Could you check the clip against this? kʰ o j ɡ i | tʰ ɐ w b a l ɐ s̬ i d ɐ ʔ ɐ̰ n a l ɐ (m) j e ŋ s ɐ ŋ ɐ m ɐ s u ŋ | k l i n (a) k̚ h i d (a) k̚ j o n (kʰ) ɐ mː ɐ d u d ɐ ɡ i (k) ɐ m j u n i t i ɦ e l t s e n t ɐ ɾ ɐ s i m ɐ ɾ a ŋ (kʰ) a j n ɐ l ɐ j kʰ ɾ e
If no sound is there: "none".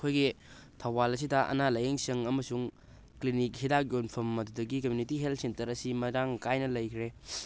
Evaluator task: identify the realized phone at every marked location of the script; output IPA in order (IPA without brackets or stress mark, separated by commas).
none, i, a, pʰ, k, k